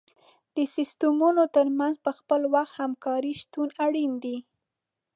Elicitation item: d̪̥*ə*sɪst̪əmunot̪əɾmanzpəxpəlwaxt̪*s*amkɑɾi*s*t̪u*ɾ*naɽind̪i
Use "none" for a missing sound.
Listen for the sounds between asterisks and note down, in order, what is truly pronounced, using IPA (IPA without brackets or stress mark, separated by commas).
ə, h, ʃ, none